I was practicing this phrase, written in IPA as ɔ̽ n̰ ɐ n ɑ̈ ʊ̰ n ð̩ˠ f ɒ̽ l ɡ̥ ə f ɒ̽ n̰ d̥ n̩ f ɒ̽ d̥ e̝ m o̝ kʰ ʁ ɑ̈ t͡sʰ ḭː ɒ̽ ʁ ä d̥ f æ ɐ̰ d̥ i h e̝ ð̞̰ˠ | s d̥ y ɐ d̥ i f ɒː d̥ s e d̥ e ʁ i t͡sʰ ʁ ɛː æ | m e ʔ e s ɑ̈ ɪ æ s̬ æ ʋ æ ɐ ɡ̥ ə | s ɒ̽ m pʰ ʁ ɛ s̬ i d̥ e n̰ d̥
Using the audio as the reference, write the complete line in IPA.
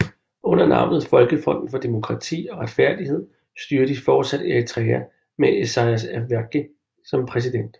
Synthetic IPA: ɔ̽ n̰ ɐ n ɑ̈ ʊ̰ n ð̩ˠ f ɒ̽ l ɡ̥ ə f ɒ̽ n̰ d̥ n̩ f ɒ̽ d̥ e̝ m o̝ kʰ ʁ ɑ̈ t͡sʰ ḭː ɒ̽ ʁ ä d̥ f æ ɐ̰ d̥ i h e̝ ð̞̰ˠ | s d̥ y ɐ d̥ i f ɒː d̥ s æ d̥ e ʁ i t͡sʰ ʁ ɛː æ | m e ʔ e s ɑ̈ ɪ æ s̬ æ ʋ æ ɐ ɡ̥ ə | s ɒ̽ m pʰ ʁ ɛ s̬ i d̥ e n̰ d̥

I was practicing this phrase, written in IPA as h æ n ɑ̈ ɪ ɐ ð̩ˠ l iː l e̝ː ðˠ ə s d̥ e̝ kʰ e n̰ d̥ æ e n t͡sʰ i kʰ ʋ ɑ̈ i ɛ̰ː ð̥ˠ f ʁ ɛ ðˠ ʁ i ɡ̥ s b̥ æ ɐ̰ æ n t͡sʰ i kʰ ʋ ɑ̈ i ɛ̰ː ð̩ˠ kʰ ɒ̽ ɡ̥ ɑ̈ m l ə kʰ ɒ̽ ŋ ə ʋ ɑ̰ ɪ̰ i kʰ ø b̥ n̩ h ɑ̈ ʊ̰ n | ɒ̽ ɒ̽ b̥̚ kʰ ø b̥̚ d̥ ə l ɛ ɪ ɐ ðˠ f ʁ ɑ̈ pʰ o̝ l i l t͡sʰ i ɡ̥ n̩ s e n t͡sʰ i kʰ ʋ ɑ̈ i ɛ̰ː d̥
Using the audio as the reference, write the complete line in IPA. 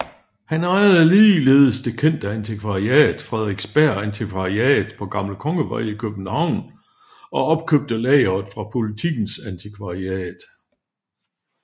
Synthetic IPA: h æ n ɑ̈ ɪ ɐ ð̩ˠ l iː l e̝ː ðˠ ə s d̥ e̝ kʰ e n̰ d̥ æ æ n t͡sʰ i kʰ ʋ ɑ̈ i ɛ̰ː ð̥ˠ f ʁ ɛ ðˠ ʁ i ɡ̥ s b̥ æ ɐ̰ æ n t͡sʰ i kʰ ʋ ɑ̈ i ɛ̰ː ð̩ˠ pʰ ɒ̽ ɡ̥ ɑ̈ m l ə kʰ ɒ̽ ŋ ə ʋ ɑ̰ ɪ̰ i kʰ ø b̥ n̩ h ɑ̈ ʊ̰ n | ɒ̽ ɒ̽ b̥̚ kʰ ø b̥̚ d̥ ə l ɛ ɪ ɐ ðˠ f ʁ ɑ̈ pʰ o̝ l i t͡sʰ i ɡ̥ n̩ s æ n t͡sʰ i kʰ ʋ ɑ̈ i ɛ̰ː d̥

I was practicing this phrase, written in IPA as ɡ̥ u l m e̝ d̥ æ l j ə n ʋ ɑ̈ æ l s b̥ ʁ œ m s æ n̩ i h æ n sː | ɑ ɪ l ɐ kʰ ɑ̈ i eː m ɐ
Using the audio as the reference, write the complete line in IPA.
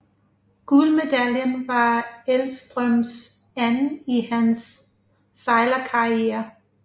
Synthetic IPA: ɡ̥ u l m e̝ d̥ æ l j ə n ʋ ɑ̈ e l s d̥ ʁ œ m s æ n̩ i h æ n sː | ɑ ɪ l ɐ kʰ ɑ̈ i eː ɐ

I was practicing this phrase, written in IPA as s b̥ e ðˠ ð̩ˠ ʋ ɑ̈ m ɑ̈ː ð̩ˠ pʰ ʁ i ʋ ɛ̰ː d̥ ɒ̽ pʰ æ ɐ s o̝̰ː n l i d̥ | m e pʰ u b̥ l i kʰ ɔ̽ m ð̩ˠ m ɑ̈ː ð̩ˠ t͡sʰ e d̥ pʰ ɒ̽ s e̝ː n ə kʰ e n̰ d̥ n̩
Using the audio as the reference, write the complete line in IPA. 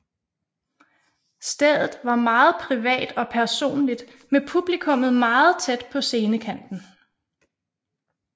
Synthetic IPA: s d̥ e ðˠ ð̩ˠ ʋ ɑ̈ m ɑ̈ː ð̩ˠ pʰ ʁ i ʋ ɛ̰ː d̥ ɒ̽ pʰ æ ɐ s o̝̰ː n l i d̥ | m e pʰ u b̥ l i kʰ ɔ̽ m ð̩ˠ m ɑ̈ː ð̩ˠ t͡sʰ e d̥ pʰ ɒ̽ s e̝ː n ə kʰ æ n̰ d̥ n̩

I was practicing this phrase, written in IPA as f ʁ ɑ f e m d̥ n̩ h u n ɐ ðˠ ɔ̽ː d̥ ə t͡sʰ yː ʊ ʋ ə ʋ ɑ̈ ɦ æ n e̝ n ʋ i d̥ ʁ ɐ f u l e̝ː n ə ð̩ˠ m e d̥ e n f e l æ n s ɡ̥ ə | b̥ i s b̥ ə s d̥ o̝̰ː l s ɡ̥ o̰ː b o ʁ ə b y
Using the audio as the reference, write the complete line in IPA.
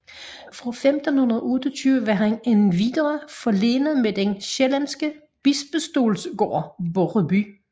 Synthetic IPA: f ʁ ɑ f e m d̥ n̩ h u n ɐ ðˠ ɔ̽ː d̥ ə t͡sʰ yː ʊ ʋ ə ʋ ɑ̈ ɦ æ n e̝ n ʋ i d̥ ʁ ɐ f ɒ l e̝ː n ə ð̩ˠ m e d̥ e n ɕ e l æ n s ɡ̥ ə | b̥ i s b̥ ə s d̥ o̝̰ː l s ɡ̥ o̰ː b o ʁ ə b y

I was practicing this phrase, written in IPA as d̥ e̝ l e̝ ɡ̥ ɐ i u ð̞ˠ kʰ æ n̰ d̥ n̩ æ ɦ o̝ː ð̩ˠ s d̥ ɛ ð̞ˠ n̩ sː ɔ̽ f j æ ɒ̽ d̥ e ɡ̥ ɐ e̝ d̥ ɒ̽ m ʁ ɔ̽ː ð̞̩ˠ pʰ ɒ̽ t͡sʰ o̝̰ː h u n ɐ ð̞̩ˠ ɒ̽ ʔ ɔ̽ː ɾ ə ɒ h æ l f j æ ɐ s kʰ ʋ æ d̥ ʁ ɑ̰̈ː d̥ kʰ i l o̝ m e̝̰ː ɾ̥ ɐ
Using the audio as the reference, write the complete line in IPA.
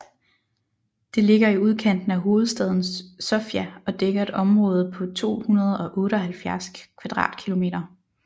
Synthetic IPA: d̥ e̝ l e̝ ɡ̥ ɐ i u ð̞ˠ kʰ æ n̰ d̥ n̩ æ ɦ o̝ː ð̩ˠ s d̥ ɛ ð̞ˠ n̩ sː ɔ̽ f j æ ɒ̽ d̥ e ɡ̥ ɐ e̝ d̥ ɒ̽ m ʁ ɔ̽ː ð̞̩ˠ pʰ ɒ̽ t͡sʰ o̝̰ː h u n ɐ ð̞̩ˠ ɒ̽ ʔ ɔ̽ː ɾ ə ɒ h æ l f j æ ɐ s kʰ ʋ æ d̥ ʁ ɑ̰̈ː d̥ kʰ i l o̝ m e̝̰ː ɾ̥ ɐ

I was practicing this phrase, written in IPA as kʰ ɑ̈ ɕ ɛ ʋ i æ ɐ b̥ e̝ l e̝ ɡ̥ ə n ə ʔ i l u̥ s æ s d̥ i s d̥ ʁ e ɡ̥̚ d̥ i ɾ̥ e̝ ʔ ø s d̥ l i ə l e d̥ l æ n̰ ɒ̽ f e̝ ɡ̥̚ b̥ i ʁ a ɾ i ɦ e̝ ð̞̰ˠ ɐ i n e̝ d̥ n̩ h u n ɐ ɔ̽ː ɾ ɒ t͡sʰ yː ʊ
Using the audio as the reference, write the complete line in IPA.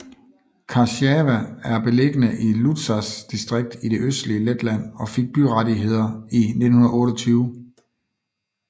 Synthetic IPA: kʰ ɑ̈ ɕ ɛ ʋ æ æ ɐ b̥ e̝ l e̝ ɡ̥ ə n ə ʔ i l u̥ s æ s d̥ i s d̥ ʁ e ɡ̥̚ d̥ i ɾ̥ e̝ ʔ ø s d̥ l i ə l e d̥ l æ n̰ ɒ̽ f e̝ ɡ̥̚ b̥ y ʁ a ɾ i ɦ e̝ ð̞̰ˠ ɐ i n e̝ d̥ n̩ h u n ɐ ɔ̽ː ɾ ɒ t͡sʰ yː ʊ

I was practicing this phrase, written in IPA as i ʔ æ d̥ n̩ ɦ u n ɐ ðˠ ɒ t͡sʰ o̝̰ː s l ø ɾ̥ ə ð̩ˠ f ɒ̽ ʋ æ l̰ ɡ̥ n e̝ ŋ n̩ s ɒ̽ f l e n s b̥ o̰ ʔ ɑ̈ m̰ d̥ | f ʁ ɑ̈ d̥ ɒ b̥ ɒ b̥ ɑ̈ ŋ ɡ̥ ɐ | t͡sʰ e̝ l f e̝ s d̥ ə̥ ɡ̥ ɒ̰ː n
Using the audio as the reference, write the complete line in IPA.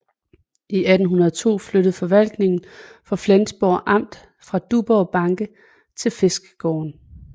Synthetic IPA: i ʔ æ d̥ n̩ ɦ u n ɐ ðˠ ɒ t͡sʰ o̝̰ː f l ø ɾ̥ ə ð̩ˠ f ɒ̽ ʋ æ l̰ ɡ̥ n e̝ ŋ n̩ f ɒ̽ f l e n s b̥ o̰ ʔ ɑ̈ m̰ d̥ | f ʁ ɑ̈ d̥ u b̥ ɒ b̥ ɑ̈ ŋ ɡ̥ ə | t͡sʰ e̝ l f e̝ s ɡ̥ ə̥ ɡ̥ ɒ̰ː n

